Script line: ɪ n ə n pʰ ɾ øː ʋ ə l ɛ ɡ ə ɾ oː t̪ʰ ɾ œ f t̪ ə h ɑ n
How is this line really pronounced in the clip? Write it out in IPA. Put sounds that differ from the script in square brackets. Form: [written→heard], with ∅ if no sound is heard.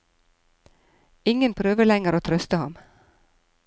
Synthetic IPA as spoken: ɪ [n→ŋ] ə n pʰ ɾ øː ʋ ə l ɛ [ɡ→ŋ] ə ɾ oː t̪ʰ ɾ œ [f→s] t̪ ə h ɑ [n→m]